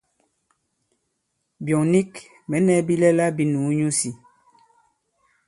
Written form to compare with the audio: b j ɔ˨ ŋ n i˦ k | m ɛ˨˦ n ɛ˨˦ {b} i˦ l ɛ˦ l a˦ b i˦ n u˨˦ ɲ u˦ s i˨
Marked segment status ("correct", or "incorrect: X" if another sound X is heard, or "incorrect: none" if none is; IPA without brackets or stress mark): correct